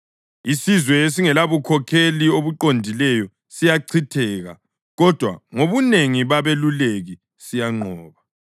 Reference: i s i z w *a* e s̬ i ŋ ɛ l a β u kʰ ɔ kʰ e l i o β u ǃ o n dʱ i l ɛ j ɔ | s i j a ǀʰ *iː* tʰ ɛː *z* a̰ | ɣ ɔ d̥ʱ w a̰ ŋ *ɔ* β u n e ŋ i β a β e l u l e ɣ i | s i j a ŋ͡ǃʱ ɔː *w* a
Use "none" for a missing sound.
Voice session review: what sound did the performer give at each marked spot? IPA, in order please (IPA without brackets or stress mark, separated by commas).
ɛ, i, ɣ, o, β